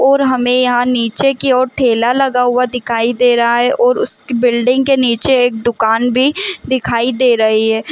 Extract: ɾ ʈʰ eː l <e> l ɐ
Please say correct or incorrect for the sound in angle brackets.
incorrect